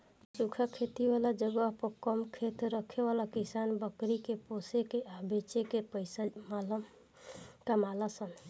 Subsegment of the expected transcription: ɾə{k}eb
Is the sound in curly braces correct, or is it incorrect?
incorrect: kʰ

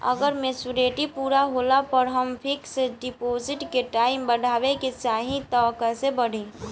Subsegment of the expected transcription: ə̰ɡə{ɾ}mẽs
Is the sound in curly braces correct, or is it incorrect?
correct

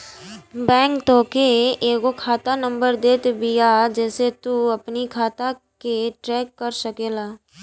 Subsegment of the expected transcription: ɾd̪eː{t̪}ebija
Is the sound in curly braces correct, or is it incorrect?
correct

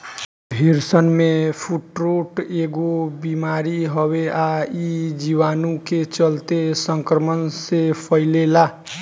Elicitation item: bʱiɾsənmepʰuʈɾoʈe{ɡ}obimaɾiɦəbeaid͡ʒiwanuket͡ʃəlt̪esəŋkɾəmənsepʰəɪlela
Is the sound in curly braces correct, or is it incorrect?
correct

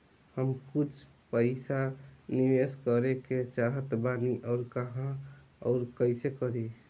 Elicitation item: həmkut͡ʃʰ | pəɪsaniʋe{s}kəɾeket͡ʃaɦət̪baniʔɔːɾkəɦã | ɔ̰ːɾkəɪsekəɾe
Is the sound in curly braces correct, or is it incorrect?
correct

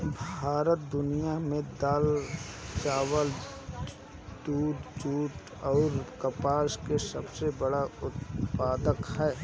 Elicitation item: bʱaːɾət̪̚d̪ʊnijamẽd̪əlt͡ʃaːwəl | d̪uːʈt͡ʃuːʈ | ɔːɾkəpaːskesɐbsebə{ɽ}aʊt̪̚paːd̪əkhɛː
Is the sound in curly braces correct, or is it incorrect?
correct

